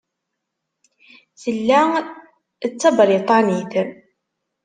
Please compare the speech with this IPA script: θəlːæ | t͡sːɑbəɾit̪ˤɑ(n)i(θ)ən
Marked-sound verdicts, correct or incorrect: correct, correct

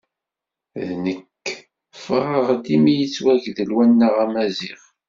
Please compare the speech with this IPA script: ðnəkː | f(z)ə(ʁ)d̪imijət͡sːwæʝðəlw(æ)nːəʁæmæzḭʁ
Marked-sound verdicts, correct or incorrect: incorrect, correct, correct

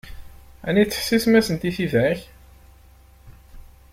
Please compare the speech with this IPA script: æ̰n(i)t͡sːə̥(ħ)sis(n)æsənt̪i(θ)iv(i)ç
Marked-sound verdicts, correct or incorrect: correct, correct, incorrect, correct, incorrect

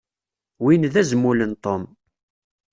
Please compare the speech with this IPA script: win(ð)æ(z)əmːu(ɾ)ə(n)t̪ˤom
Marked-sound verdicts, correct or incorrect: correct, correct, incorrect, correct

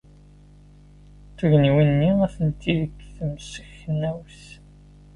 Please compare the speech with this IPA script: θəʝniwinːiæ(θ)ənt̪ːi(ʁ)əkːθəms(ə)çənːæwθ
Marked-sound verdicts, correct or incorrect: correct, incorrect, correct

